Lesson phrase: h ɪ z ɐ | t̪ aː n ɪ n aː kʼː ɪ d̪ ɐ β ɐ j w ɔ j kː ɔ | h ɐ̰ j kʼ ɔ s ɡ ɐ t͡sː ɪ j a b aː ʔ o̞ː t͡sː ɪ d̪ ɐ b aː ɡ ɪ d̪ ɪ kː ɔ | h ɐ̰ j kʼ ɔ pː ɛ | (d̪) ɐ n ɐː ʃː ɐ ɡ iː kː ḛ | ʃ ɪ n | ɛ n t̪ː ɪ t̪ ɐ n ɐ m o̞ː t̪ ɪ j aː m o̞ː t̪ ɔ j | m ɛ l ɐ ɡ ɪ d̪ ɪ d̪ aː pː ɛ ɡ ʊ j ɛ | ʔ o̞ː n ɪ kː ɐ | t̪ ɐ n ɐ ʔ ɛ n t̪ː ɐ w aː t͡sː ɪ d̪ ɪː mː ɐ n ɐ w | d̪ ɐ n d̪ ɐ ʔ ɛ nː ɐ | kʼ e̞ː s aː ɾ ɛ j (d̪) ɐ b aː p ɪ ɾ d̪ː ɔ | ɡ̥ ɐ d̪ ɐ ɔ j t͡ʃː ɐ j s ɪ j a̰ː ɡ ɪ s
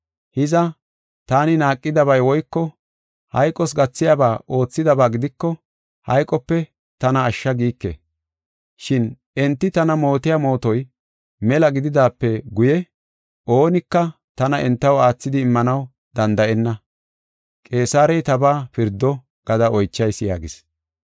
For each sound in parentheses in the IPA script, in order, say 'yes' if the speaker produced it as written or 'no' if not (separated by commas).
no, no